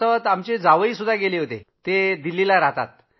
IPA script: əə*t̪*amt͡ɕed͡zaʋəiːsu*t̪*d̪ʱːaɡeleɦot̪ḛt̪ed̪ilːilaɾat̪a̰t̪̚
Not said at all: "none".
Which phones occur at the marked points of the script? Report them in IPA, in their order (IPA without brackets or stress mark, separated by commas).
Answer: t̪, none